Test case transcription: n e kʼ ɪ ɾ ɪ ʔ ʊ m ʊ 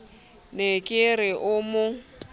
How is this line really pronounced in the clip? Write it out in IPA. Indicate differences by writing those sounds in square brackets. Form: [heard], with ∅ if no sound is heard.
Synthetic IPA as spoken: n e kʼ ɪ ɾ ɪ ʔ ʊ m ʊ